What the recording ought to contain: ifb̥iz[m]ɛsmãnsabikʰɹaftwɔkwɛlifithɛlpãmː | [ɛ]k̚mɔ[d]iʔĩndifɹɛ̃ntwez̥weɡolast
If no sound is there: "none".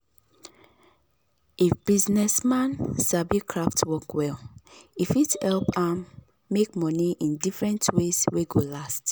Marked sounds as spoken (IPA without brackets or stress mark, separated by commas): n, e, n